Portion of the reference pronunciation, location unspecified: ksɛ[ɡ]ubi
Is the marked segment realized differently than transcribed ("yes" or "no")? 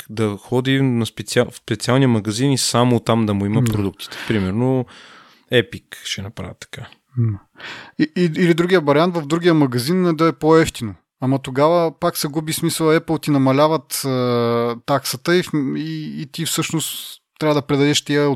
no